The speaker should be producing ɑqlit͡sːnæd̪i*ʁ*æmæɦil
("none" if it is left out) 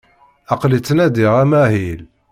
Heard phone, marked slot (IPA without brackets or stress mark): ʁ